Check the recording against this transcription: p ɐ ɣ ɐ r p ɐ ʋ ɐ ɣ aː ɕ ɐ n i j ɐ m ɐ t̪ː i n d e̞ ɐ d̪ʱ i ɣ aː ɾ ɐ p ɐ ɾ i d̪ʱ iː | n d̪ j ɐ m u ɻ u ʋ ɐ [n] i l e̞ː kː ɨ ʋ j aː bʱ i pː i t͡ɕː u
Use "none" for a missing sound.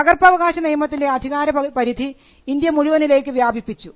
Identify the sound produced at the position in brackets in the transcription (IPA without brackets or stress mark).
n